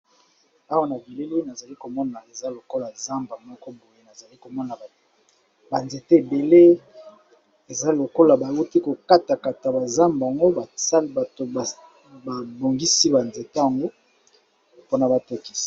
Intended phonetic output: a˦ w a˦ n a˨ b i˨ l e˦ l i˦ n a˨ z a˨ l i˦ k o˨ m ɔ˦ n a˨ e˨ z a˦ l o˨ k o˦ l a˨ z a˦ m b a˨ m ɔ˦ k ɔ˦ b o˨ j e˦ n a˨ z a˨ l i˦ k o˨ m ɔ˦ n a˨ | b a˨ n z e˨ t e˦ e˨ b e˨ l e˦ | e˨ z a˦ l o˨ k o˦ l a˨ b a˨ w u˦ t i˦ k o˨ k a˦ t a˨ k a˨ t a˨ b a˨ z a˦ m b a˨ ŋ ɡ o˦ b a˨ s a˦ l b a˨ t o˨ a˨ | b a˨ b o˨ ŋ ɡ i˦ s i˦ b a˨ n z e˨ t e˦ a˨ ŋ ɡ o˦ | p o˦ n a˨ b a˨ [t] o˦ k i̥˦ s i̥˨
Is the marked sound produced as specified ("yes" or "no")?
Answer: yes